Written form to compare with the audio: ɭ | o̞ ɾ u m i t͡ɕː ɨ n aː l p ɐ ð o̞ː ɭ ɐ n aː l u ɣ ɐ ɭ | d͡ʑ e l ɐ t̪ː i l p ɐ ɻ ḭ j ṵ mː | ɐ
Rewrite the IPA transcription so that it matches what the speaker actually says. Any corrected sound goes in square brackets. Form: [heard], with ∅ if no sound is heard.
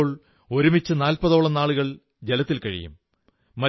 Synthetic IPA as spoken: ɭ | o̞ ɾ u m i t͡ɕː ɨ n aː l p ɐ ð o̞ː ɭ ɐ n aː [ɭ] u ɣ ɐ ɭ | d͡ʑ e l ɐ t̪ː i l [k] ɐ ɻ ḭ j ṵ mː | ɐ